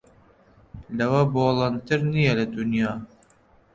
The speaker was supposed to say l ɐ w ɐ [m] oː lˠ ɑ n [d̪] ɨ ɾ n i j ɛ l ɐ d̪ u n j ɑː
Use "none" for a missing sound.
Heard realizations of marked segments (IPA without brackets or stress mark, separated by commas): b, t̪